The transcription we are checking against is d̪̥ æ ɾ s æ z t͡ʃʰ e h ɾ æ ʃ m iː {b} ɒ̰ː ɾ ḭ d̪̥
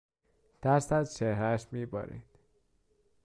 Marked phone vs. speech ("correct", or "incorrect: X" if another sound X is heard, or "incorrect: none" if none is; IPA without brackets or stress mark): correct